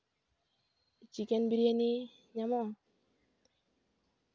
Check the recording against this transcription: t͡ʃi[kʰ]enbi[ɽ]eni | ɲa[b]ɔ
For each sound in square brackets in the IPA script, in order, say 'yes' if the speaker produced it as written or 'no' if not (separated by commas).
no, no, no